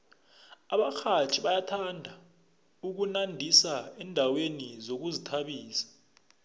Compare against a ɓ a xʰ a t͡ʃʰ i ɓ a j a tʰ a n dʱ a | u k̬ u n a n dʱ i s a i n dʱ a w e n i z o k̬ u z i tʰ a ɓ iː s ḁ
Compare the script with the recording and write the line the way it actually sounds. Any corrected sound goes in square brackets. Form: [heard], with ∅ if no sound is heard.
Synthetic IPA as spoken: a ɓ a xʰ a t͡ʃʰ i ɓ a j a tʰ a n dʱ a | u k̬ u n a n dʱ i s a [ɛ] n dʱ a w e n i z o k̬ u z i tʰ a ɓ iː s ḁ